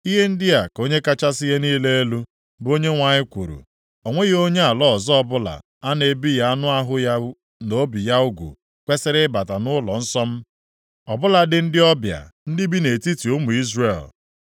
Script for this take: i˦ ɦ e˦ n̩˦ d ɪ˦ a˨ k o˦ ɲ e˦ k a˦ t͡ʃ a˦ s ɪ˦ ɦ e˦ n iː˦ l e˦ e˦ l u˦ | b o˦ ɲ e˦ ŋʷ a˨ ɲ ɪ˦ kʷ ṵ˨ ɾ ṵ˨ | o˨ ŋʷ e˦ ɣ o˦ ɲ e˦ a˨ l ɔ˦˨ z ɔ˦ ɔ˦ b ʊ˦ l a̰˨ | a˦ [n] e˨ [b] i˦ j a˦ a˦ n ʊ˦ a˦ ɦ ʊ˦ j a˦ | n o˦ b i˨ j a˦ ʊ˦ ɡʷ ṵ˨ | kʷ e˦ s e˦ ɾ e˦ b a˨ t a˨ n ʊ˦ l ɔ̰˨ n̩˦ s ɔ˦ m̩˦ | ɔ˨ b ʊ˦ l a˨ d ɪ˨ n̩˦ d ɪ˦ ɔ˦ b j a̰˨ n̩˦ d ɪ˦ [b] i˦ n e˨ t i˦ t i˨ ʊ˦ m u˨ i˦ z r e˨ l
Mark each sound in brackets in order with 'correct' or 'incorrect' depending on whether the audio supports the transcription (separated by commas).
correct, correct, correct